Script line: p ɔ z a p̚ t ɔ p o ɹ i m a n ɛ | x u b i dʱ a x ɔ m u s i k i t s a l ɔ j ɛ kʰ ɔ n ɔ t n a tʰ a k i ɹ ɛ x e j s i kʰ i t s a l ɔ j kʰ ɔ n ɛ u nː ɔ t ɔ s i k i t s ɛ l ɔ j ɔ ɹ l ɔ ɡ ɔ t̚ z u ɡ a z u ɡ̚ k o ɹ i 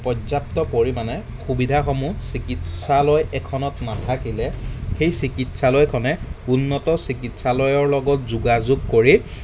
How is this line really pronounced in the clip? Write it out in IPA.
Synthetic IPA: p ɔ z a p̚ t ɔ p o ɹ i m a n ɛ | x u b i dʱ a x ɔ m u s i k i t s a l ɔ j ɛ kʰ ɔ n ɔ t n a tʰ a k i l ɛ x e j s i k i t s a l ɔ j kʰ ɔ n ɛ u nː ɔ t ɔ s i k i t s a l ɔ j ɔ ɹ l ɔ ɡ ɔ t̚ z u ɡ a z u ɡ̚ k o ɹ i